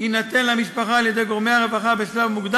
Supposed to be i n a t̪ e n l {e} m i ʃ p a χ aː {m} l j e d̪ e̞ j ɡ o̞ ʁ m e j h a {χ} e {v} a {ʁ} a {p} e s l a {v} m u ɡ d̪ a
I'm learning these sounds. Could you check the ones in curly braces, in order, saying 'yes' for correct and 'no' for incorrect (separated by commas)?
no, no, no, yes, no, no, yes